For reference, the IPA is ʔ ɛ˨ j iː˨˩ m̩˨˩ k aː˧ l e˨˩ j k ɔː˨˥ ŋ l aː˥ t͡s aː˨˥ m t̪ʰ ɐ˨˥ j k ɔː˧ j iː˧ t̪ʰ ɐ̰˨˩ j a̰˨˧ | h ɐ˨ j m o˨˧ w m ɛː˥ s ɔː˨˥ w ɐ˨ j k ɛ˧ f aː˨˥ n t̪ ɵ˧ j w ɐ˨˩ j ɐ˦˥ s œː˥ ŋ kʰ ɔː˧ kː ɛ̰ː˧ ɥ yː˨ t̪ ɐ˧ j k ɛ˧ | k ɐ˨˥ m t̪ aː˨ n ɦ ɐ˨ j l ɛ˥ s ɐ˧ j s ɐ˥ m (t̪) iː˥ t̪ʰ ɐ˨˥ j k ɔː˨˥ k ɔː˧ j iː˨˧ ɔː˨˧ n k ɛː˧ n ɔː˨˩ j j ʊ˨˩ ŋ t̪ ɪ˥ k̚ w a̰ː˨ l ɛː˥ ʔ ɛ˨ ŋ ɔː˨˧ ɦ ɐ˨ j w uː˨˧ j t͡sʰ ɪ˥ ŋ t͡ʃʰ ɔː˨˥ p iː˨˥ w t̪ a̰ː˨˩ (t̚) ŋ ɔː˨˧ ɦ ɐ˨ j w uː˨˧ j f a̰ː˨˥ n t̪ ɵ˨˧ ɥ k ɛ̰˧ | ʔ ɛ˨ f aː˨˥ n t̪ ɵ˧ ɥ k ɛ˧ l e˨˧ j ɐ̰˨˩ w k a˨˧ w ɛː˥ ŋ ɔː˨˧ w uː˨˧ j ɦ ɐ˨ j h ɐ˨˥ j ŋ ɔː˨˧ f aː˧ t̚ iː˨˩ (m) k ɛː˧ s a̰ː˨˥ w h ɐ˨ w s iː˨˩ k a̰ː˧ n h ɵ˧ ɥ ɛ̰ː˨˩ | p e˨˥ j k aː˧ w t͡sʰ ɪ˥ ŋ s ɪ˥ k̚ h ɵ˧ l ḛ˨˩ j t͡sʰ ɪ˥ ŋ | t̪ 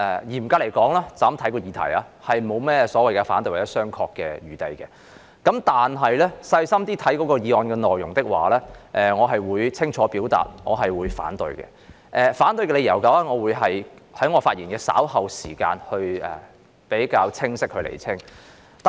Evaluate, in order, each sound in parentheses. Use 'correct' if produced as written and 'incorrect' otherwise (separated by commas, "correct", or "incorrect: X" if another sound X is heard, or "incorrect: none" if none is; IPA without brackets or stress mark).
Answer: correct, correct, incorrect: n